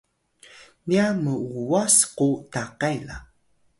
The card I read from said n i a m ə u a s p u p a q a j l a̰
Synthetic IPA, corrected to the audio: n i a m ə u a s q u t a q a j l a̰